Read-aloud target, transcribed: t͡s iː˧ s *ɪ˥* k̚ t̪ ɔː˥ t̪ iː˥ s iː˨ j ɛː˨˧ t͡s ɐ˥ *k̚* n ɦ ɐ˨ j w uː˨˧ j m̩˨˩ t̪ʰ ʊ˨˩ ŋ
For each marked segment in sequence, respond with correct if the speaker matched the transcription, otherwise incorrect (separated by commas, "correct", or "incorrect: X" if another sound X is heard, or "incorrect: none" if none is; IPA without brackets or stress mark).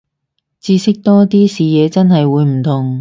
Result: correct, incorrect: none